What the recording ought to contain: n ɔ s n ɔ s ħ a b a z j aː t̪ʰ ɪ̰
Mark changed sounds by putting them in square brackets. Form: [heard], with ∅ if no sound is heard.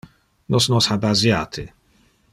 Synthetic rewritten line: n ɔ s n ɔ s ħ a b a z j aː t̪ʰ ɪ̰

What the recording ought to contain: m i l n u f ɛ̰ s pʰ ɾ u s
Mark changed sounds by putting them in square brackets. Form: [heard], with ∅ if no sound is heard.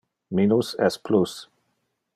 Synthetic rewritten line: m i [∅] n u [s] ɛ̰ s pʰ [l] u s

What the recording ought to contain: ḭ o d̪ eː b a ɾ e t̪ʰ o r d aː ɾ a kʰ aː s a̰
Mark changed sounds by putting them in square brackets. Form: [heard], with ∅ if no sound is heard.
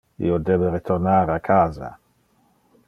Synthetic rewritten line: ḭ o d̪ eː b [e] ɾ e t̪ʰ o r [n] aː ɾ a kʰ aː [z] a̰

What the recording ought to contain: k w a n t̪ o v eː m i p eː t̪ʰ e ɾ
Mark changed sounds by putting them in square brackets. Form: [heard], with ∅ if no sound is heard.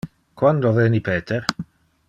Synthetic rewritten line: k w a n [d̪] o v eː [n] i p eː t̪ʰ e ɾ

